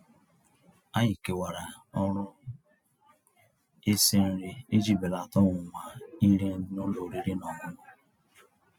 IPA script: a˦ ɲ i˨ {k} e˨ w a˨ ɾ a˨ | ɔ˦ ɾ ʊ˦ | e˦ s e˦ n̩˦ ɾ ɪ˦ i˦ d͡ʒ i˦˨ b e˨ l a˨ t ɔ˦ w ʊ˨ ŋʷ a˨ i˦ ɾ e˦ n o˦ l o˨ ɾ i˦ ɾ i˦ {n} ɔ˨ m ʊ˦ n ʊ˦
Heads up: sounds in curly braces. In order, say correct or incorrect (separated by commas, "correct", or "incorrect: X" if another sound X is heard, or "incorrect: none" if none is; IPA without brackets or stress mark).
correct, correct